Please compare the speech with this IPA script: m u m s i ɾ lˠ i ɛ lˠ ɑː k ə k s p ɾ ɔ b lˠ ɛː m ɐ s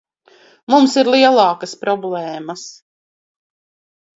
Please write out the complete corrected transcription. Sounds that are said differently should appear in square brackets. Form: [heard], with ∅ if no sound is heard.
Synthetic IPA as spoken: m u m s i ɾ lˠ i ɛ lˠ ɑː k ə [∅] s p ɾ ɔ b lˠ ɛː m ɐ s